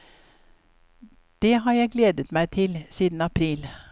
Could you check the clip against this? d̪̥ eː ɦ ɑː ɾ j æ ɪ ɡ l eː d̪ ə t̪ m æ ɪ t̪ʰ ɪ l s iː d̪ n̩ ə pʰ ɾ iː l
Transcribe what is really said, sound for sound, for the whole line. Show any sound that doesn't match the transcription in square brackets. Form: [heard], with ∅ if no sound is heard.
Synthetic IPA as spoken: d̪̥ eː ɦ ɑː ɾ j æ ɪ ɡ l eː d̪ ə t̪ m æ ɪ t̪ʰ ɪ l s iː d̪ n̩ [ɑ] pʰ ɾ iː l